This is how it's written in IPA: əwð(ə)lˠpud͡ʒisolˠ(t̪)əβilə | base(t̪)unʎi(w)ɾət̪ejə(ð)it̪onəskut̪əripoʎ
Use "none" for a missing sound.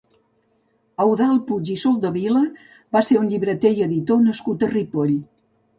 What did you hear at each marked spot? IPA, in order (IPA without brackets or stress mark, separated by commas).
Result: a, d̪, none, β, ð